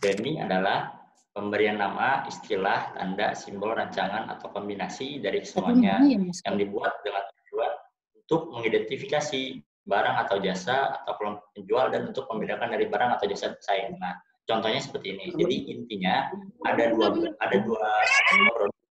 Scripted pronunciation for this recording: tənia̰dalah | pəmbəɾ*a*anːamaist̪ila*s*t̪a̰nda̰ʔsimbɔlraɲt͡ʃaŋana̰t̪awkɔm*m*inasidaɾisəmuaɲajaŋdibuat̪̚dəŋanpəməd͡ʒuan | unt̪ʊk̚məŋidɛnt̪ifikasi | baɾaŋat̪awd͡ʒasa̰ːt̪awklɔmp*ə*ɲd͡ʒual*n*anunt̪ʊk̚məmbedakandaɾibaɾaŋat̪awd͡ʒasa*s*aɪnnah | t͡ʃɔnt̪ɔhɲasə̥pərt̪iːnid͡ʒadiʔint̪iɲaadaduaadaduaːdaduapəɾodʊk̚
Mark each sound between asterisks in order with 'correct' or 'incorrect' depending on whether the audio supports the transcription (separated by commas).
incorrect, incorrect, incorrect, correct, incorrect, correct